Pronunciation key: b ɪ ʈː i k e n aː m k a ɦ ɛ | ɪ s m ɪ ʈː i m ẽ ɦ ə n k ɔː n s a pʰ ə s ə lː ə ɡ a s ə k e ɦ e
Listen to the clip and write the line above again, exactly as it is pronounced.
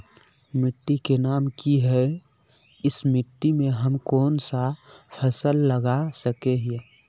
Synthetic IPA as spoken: m ɪ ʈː i k e n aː m k i ɦ ɛ | ɪ s m ɪ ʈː i m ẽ ɦ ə m k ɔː n s a pʰ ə s ə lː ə ɡ a s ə k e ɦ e